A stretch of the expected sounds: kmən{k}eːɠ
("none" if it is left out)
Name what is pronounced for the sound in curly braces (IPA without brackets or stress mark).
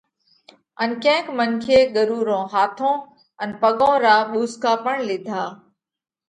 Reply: kʰ